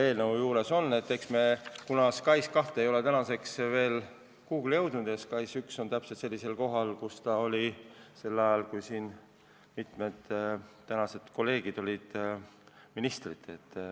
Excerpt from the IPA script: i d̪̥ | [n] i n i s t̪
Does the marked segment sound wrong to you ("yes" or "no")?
yes